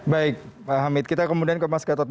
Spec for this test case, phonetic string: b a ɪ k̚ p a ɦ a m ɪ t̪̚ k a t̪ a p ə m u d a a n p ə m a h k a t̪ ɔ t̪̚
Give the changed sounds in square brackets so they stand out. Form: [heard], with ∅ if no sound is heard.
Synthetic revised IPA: b a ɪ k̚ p a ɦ a m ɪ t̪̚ k [i] t̪ a [k] ə m u d [i] a n [k] ə m a [s] k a t̪ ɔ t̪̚